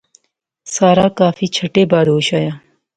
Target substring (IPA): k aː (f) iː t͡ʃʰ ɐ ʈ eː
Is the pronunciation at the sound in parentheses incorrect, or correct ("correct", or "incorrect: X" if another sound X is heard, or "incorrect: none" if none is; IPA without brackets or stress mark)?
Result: correct